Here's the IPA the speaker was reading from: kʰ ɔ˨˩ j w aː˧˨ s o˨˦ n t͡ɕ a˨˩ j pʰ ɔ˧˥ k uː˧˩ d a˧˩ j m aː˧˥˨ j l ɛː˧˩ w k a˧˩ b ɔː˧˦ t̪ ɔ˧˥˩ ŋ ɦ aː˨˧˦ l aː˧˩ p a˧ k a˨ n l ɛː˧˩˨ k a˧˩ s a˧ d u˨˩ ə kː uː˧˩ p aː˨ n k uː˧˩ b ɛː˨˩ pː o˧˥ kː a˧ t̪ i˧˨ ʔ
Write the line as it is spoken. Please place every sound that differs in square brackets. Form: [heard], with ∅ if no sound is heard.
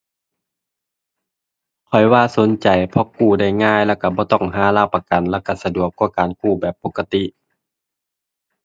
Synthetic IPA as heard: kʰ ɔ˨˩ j w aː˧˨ s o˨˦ n t͡ɕ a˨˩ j pʰ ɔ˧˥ k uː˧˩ d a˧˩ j [ŋ] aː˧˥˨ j l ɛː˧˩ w k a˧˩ b ɔː˧˦ t̪ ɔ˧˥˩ ŋ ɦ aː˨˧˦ l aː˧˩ p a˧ k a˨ n l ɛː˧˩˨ k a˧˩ s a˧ d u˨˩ ə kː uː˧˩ [k] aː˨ n k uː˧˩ b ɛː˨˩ pː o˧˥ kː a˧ t̪ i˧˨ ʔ